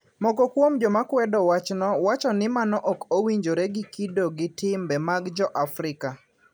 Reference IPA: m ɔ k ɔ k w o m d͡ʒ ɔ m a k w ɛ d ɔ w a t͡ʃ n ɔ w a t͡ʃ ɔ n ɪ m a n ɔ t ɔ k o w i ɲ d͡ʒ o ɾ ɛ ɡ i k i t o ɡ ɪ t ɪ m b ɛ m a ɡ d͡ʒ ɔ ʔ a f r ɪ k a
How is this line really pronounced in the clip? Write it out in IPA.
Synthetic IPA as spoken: m ɔ k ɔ k w o m d͡ʒ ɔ m a k w ɛ d ɔ w a t͡ʃ n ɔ w a t͡ʃ ɔ n ɪ m a n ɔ ʔ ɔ k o w i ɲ d͡ʒ o ɾ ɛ ɡ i k i d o ɡ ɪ t ɪ m b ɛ m a ɡ d͡ʒ ɔ ʔ a f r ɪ k a